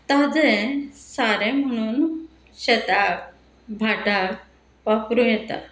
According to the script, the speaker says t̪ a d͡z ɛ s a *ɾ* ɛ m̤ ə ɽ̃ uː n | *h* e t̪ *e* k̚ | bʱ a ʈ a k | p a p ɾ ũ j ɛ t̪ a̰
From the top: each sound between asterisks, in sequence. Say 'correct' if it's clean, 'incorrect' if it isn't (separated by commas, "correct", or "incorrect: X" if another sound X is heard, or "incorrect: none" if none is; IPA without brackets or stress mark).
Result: correct, incorrect: ɕ, incorrect: a